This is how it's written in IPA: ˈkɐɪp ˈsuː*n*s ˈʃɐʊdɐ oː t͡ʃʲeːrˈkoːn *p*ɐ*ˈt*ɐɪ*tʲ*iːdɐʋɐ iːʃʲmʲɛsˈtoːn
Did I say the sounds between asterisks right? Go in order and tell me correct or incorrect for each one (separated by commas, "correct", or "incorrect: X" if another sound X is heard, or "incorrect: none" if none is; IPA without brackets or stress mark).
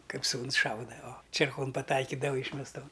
correct, correct, correct, incorrect: kʲ